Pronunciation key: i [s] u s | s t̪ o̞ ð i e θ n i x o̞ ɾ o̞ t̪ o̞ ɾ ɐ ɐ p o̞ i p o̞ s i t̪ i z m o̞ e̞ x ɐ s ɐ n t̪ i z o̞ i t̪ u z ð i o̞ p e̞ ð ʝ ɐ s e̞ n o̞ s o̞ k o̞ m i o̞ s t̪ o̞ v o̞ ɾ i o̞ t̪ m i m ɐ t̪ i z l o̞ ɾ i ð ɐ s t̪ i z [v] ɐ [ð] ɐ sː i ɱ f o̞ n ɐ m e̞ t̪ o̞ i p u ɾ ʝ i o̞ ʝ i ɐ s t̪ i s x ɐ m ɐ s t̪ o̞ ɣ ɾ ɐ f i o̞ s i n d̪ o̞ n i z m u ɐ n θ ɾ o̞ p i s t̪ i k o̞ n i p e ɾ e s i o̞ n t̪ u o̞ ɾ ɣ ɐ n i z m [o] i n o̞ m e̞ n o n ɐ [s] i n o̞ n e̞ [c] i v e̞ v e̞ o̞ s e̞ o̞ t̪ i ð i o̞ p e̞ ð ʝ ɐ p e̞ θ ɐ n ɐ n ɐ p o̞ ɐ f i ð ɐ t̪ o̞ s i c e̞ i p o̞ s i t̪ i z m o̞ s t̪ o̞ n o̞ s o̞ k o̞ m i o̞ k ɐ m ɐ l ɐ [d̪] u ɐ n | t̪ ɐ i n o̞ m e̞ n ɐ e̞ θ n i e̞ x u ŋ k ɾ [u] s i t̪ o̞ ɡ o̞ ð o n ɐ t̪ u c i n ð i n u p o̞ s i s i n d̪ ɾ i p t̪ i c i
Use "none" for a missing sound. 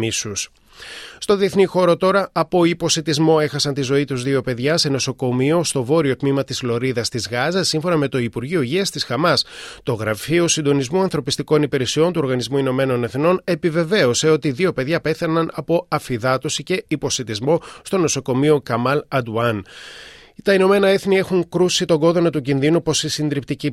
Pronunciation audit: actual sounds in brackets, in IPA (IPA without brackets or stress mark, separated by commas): s, ɣ, z, u, θ, p, d̪, u